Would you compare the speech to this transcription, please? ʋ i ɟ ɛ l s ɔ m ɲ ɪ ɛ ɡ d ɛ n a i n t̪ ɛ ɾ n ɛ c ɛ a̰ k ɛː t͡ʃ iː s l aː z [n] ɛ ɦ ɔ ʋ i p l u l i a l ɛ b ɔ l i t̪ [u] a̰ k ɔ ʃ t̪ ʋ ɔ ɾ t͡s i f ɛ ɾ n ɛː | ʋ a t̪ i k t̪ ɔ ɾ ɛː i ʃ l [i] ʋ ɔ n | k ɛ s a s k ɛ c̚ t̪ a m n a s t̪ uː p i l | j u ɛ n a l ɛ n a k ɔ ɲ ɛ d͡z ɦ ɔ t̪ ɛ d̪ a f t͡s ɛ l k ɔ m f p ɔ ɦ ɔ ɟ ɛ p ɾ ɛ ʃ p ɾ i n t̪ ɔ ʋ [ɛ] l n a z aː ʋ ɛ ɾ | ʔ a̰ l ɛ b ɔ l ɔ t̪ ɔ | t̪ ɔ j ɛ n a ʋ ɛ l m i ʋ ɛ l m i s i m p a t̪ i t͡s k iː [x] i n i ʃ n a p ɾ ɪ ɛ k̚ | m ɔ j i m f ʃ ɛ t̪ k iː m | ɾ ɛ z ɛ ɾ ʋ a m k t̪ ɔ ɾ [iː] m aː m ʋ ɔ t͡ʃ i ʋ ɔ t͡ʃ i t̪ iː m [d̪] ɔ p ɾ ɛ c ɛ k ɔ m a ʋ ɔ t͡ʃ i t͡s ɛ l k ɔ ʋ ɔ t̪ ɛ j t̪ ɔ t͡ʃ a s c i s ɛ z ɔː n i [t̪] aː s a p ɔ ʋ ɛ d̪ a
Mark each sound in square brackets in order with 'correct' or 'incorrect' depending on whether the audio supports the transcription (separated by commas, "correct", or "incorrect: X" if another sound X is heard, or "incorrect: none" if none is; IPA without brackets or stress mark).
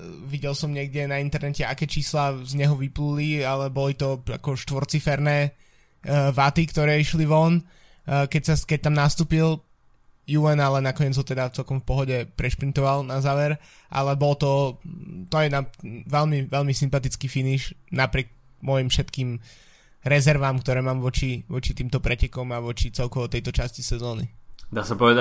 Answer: incorrect: ɲ, incorrect: ɔ, correct, incorrect: a, incorrect: f, incorrect: ɛː, incorrect: t̪, incorrect: d̪